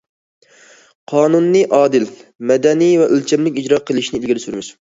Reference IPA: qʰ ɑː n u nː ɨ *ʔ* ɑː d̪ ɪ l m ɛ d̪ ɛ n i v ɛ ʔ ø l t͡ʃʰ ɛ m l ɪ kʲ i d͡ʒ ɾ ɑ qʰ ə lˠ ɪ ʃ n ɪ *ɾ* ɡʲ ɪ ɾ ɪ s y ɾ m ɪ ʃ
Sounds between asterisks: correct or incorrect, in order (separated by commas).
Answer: correct, incorrect